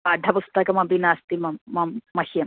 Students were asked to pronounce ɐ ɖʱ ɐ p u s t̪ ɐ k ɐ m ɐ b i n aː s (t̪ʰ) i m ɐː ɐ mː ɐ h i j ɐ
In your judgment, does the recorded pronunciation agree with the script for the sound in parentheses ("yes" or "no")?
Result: no